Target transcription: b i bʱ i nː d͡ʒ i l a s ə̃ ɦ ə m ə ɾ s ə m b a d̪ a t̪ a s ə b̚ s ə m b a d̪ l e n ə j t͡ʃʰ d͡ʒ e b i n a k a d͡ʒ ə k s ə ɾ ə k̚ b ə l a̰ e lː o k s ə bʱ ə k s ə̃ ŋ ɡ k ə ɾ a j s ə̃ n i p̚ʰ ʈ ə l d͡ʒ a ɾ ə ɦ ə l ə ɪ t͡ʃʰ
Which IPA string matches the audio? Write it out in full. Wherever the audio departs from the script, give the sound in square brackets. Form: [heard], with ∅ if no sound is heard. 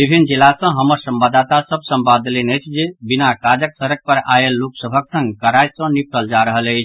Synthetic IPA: b i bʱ i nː d͡ʒ i l a s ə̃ ɦ ə m ə ɾ s ə m b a d̪ a t̪ a s ə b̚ s ə m b a d̪ l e n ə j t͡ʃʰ d͡ʒ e b i n a k a d͡ʒ ə k s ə ɾ ə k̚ [p] ə [ɾ] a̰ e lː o k s ə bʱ ə k s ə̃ ŋ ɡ k ə ɾ a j s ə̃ n i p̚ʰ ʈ ə l d͡ʒ a ɾ ə ɦ ə l ə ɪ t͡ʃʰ